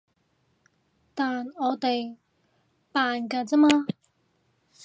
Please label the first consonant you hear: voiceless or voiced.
voiceless